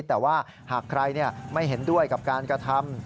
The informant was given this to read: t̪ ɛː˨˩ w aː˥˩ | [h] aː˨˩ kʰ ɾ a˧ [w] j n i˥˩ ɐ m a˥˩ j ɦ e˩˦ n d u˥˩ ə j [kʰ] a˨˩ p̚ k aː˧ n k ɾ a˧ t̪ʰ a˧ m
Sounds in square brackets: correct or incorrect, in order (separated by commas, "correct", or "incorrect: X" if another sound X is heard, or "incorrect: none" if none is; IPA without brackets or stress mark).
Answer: correct, incorrect: none, incorrect: k